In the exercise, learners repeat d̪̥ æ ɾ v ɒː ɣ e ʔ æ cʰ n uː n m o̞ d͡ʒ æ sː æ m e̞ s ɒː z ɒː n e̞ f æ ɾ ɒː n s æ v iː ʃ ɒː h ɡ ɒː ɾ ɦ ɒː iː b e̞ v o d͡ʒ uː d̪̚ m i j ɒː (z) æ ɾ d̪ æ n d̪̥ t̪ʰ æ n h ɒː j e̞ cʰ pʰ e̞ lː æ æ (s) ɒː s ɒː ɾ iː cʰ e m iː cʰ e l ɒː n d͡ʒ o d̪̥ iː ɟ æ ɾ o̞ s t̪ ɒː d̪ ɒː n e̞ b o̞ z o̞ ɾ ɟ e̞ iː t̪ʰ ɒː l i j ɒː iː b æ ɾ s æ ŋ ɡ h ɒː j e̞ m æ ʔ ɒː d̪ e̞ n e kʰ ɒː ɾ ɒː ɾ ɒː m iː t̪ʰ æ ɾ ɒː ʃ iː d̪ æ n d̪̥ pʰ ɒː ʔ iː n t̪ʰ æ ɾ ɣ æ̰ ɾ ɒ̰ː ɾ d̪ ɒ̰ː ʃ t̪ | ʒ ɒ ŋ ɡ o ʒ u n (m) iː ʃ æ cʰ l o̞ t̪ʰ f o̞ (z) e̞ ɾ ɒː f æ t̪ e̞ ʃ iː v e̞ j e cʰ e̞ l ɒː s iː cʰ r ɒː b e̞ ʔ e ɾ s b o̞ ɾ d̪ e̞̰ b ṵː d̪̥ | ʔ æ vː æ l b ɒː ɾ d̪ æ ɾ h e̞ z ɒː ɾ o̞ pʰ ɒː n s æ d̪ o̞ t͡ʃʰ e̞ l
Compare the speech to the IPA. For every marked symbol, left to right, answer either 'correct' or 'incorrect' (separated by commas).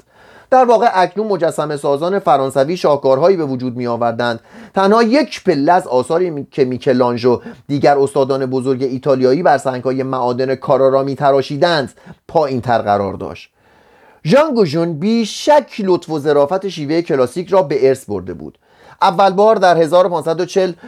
incorrect, incorrect, incorrect, correct